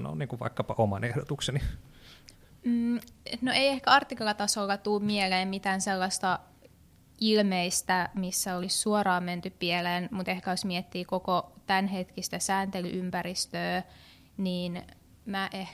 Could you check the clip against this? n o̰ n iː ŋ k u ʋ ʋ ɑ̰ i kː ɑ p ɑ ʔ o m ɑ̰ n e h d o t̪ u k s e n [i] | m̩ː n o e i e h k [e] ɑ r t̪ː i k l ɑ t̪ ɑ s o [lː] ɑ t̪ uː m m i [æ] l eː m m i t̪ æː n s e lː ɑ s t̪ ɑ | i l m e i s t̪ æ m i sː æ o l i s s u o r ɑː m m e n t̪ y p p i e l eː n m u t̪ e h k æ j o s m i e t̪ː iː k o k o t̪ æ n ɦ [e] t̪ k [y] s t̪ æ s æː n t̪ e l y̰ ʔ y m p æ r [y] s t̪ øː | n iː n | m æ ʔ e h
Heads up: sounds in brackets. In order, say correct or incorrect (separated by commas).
correct, incorrect, correct, incorrect, correct, incorrect, incorrect